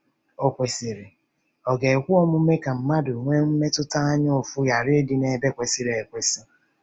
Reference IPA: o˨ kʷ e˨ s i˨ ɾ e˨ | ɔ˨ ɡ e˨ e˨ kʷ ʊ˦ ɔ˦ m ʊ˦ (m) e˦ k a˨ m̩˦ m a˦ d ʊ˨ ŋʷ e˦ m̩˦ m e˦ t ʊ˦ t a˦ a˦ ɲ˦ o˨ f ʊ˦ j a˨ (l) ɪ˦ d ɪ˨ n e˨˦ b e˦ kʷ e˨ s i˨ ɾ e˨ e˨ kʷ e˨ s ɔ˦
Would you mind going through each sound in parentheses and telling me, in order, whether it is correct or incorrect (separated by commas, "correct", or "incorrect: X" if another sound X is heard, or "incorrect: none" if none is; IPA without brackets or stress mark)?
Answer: correct, incorrect: ɾ